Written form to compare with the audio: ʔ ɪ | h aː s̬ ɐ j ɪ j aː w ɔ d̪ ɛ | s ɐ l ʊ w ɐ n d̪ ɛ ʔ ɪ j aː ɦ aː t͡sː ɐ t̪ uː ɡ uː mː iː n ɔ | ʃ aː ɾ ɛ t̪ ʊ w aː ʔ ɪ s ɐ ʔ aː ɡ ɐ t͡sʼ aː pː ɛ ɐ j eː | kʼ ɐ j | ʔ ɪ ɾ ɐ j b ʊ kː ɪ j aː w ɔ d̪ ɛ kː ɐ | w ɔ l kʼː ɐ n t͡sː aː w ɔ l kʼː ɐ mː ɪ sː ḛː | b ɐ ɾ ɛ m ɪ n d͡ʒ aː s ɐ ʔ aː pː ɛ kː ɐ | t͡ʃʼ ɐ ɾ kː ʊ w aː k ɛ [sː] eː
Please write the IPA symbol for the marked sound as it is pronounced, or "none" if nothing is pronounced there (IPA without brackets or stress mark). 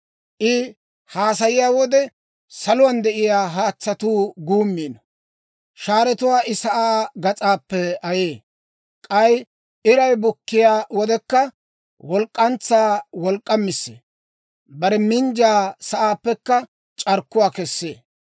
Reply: sː